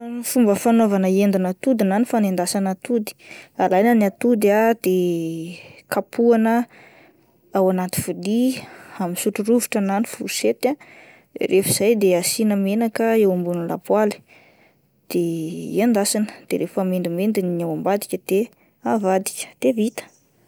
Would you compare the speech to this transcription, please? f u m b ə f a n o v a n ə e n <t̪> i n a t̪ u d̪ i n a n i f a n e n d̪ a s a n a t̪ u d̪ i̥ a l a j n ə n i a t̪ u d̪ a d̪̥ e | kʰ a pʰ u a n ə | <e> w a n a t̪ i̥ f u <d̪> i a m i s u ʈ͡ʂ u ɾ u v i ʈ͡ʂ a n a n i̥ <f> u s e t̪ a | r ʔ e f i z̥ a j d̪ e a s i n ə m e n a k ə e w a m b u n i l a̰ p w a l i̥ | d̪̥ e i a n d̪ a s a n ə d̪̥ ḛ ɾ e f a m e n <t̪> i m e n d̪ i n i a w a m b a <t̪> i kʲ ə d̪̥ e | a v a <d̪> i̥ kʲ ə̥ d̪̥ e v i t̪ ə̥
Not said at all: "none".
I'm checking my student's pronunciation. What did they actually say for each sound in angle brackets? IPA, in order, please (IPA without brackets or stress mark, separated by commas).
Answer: d̪, a, d̪, f, d̪, d̪, d̪